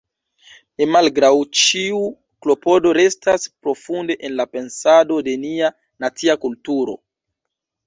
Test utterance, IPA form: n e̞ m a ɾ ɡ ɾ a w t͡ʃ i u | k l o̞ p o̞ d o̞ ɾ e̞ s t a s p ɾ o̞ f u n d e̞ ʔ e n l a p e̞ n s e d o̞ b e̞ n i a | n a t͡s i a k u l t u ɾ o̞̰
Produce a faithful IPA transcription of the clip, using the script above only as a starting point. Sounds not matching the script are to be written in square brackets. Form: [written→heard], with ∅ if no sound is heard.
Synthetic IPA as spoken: n e̞ m a [ɾ→l] ɡ ɾ a w t͡ʃ i u | k l o̞ p o̞ d o̞ ɾ e̞ s t a s p ɾ o̞ f u n d e̞ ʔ e n l a p e̞ n s [e→a] d o̞ [b→d] e̞ n i a | n a t͡s i a k u l t u ɾ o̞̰